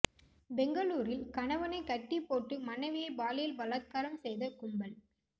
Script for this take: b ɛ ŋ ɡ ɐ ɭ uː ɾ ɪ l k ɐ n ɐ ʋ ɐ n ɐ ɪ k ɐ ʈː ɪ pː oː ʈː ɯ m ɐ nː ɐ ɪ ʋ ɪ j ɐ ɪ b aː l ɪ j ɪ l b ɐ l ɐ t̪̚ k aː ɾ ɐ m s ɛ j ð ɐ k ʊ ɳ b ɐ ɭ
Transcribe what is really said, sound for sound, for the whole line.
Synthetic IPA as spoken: b ɛ ŋ ɡ ɐ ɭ uː ɾ ɪ l k ɐ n ɐ ʋ ɐ n ɐ ɪ k ɐ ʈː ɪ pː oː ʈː ɯ m ɐ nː ɐ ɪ ʋ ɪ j ɐ ɪ b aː l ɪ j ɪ l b ɐ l ɐ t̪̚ k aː ɾ ɐ m s ɛ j ð ɐ k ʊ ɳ b ɐ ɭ